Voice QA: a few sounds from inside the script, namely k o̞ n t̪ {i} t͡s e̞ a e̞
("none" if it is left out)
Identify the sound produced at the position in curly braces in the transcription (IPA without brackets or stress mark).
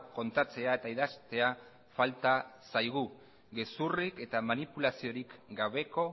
a